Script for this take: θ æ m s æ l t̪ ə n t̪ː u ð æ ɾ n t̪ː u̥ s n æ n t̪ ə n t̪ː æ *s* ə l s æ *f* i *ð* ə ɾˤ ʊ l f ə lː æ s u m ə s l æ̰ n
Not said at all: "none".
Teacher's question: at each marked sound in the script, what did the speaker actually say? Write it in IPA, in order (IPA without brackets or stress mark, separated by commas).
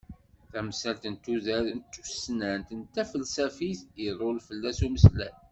f, f, θ